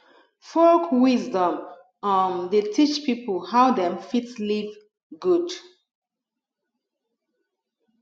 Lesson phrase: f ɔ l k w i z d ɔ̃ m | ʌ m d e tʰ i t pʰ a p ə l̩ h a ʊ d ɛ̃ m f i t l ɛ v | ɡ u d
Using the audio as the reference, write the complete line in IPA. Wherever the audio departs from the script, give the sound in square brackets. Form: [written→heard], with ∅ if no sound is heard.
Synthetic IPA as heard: f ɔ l k w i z d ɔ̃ m | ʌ m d e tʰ i [t→t͡ʃ] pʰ [a→i] p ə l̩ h a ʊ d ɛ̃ m f i t l [ɛ→i] v | ɡ u d